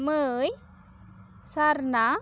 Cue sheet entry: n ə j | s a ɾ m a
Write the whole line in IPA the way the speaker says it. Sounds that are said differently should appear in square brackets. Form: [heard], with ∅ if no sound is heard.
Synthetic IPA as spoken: [m] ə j | s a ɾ [n] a